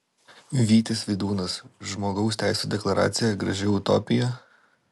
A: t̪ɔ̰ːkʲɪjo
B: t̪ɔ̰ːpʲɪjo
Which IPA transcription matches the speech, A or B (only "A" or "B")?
B